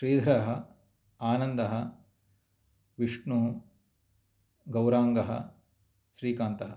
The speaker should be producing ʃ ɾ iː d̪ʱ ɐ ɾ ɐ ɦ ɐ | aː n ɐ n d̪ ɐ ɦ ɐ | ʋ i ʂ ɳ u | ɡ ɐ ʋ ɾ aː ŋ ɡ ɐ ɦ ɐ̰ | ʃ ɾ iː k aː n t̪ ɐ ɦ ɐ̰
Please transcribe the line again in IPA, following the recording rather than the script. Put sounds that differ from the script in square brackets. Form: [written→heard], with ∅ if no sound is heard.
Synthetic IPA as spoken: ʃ ɾ iː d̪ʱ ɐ ɾ ɐ ɦ ɐ | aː n ɐ n d̪ ɐ ɦ ɐ | ʋ i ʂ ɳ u | ɡ ɐ [ʋ→w] ɾ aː ŋ ɡ ɐ ɦ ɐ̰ | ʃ ɾ iː k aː n t̪ ɐ ɦ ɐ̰